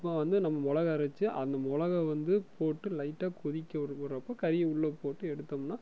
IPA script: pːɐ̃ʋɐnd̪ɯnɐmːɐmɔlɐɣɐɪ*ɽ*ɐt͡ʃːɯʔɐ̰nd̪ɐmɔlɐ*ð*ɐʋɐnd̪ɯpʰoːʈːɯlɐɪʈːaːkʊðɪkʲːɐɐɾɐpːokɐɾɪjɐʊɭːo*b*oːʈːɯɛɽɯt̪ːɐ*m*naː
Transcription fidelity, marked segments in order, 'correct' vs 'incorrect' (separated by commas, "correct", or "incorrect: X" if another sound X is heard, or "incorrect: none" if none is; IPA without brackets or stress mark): incorrect: ɾ, incorrect: ɣ, incorrect: p, correct